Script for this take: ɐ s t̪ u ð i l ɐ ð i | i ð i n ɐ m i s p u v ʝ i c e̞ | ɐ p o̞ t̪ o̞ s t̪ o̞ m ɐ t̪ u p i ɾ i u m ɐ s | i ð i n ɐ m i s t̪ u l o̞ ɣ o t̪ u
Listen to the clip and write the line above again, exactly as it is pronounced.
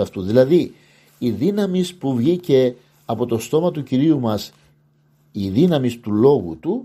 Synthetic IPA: ɐ f t̪ u ð i l ɐ ð i | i ð i n ɐ m i s p u v ʝ i c e̞ | ɐ p o̞ t̪ o̞ s t̪ o̞ m ɐ t̪ u c i ɾ i u m ɐ s | i ð i n ɐ m i s t̪ u l o̞ ɣ u t̪ u